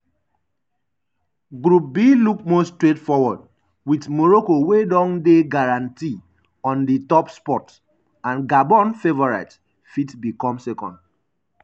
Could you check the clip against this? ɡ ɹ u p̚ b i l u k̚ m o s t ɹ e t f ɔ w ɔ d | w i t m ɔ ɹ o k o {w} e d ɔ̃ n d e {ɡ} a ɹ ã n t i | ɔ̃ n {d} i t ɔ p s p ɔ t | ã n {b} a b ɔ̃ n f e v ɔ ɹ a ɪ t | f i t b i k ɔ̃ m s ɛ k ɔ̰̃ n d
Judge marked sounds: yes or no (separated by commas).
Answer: yes, yes, yes, no